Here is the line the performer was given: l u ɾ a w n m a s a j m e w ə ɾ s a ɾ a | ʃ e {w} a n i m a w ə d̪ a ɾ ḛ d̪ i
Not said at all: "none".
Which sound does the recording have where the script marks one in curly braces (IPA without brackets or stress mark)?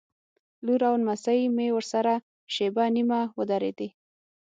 b